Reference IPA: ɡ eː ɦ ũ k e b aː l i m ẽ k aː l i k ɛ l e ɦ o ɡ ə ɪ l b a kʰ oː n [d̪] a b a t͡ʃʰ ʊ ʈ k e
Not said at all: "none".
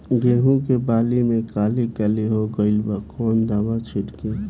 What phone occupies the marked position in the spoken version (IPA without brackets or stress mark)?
d̪